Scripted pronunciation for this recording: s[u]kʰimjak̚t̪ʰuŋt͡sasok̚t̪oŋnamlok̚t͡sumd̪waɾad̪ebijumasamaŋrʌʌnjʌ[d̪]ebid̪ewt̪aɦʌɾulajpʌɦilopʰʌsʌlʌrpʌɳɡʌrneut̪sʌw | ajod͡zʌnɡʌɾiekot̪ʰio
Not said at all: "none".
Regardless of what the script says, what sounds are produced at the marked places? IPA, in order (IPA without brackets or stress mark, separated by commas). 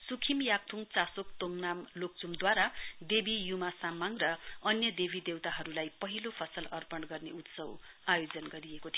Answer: u, d̪